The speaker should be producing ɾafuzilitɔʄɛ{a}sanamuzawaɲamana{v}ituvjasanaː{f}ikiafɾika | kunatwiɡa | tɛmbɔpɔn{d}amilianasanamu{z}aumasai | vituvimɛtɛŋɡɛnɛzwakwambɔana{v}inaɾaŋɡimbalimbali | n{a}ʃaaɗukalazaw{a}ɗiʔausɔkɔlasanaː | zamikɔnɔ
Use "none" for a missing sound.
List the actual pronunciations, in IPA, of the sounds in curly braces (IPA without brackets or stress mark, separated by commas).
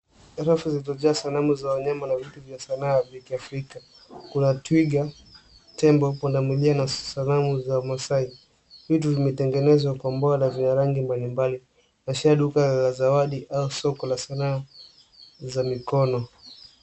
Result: a, v, v, d, z, v, a, a